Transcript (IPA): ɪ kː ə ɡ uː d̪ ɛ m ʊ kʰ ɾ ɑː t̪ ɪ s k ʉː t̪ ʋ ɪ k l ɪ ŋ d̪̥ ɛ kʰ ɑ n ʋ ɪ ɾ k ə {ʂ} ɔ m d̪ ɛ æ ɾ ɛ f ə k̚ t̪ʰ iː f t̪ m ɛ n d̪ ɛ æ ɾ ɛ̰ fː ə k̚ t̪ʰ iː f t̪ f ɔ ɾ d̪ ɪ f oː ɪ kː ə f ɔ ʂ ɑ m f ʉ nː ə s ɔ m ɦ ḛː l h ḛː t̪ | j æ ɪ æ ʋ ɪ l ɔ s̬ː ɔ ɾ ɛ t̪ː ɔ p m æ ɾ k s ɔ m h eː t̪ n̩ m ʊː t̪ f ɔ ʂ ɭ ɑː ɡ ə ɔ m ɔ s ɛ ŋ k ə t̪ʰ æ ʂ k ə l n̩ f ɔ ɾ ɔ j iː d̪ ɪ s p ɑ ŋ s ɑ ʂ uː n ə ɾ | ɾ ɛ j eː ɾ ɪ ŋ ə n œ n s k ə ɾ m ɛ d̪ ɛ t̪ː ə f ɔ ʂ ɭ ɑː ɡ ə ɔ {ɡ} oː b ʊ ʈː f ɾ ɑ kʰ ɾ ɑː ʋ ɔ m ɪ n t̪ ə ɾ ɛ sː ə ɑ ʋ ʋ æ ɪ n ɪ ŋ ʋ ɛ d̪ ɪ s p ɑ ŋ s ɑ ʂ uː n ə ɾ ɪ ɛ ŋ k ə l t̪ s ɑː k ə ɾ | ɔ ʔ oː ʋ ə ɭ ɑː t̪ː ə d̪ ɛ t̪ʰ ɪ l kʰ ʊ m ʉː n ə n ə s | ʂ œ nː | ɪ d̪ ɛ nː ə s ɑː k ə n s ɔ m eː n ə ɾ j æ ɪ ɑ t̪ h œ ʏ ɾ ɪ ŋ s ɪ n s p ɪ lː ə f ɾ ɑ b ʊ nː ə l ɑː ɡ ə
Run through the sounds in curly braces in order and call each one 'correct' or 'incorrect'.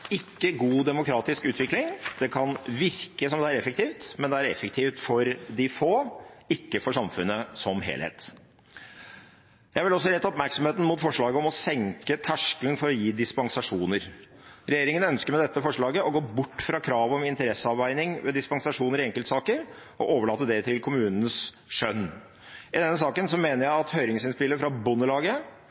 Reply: incorrect: s, correct

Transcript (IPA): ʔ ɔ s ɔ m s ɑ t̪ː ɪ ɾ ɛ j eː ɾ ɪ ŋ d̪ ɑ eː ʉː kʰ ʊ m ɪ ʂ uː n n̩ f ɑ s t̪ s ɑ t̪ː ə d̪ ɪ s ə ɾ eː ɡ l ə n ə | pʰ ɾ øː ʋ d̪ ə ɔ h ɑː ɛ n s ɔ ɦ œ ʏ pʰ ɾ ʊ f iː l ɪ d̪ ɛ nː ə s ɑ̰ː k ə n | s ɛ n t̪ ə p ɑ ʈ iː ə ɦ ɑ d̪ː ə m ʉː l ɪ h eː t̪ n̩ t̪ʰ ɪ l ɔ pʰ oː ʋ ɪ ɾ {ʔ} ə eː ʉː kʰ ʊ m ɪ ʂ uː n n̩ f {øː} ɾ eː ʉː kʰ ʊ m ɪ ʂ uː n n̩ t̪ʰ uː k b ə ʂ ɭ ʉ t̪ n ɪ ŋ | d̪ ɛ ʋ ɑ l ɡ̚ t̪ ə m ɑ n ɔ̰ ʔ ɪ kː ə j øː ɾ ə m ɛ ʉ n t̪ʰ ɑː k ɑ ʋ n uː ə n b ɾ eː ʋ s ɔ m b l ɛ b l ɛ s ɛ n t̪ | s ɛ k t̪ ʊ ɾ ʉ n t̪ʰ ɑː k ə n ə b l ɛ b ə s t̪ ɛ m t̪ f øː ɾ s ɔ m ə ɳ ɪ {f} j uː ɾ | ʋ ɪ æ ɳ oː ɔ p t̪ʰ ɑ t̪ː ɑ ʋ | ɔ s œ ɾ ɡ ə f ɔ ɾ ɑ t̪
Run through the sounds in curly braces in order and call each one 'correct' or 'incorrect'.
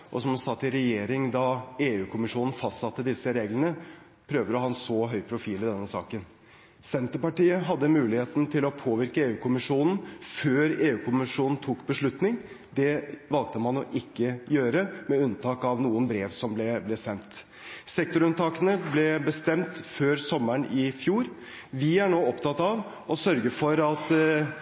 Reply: incorrect: k, correct, correct

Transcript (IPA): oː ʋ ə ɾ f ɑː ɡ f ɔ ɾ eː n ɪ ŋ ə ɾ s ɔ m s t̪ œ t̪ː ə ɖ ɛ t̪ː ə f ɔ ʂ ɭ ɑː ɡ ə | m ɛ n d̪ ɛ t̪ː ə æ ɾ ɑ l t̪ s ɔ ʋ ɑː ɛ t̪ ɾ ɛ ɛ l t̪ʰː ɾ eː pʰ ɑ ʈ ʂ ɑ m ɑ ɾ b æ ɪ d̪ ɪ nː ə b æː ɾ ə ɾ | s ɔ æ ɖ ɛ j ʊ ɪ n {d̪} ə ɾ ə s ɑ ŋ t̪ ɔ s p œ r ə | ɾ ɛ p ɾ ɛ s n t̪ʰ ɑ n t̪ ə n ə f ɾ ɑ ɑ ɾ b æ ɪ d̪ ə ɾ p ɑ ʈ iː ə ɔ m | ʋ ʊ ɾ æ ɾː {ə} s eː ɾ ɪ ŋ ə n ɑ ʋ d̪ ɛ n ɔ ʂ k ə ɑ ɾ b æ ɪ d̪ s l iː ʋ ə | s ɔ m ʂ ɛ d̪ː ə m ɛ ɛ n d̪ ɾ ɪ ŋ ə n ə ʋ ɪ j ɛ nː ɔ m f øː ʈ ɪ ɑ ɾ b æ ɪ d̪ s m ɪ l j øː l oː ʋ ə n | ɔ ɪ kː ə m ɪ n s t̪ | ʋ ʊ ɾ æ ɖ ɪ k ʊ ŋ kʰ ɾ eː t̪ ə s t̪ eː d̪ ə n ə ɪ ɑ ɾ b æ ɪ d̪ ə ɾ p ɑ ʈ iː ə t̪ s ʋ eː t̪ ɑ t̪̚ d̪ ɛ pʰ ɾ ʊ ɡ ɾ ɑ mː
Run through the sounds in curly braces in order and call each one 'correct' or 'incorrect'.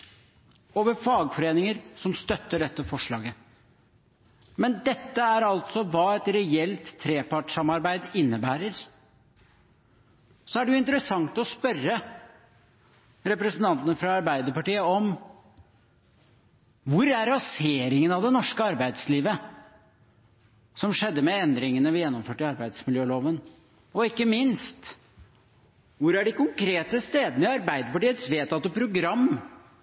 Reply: incorrect: t̪, incorrect: ɑ

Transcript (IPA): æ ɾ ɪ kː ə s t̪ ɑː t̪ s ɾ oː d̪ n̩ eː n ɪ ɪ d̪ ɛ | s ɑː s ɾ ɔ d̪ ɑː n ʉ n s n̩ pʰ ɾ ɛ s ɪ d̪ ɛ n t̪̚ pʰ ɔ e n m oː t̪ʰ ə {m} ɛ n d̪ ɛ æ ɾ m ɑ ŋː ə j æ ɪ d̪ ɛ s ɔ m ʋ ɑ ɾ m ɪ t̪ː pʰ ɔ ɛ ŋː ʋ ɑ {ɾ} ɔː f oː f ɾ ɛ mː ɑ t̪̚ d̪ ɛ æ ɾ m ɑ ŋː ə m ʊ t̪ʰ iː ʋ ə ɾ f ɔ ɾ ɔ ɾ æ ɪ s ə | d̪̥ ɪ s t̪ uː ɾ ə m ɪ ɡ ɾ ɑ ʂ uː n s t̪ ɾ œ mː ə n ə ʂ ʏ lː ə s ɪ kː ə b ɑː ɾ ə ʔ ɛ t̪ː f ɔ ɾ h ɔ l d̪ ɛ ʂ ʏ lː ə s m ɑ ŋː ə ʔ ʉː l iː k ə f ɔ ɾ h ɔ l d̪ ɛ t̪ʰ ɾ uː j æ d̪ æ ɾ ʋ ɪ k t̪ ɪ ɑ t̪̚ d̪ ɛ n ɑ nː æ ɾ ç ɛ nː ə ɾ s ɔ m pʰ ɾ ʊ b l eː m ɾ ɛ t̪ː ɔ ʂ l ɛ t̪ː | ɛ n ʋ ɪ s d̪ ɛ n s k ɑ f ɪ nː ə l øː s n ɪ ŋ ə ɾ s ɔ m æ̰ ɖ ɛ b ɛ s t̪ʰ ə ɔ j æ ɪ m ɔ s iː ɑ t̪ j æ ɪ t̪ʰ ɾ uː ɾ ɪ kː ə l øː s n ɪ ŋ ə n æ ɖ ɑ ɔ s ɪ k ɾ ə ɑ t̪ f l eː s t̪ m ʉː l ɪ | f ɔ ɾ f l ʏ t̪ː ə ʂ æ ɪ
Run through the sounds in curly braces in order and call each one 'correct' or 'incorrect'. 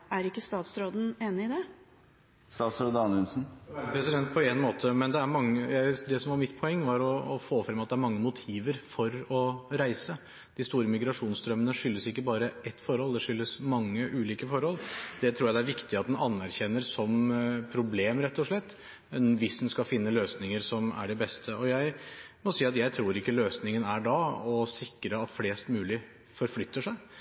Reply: correct, correct

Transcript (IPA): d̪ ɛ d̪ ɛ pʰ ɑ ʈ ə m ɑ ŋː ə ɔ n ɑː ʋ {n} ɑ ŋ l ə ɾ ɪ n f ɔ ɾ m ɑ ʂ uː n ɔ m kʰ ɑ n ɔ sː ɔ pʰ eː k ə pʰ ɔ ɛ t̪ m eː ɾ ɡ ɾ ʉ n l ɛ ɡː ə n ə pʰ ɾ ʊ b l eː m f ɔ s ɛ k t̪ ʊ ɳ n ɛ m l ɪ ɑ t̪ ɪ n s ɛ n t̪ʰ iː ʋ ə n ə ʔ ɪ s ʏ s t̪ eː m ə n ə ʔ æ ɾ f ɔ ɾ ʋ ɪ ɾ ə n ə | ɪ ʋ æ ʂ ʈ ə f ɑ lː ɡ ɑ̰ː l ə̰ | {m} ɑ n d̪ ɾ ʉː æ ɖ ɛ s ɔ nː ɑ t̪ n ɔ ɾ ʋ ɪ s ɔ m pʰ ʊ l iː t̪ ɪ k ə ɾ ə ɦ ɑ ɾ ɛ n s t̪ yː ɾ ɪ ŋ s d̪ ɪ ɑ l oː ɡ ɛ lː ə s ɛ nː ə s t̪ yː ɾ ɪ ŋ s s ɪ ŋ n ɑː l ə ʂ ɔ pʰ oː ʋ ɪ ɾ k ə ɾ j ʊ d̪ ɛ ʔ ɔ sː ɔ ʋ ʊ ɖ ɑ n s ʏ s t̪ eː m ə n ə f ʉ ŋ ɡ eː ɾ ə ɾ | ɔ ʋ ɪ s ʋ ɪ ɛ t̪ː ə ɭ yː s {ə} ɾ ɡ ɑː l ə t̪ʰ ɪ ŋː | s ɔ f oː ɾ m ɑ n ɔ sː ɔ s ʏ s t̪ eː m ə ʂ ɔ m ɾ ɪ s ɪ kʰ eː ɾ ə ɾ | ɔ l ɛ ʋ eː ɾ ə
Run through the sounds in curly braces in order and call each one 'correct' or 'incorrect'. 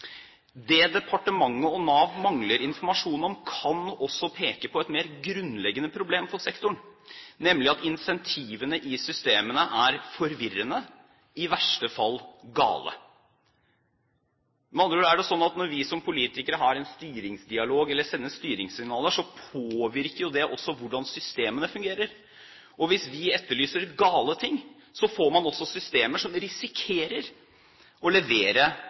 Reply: incorrect: m, correct, correct

